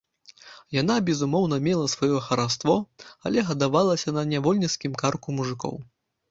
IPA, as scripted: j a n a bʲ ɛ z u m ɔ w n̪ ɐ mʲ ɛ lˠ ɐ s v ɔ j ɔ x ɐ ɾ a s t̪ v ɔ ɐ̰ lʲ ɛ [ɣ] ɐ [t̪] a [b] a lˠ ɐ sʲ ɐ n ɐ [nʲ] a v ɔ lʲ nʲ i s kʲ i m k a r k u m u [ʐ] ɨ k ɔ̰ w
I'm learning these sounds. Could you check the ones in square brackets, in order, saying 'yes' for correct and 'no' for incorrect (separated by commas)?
yes, no, no, yes, yes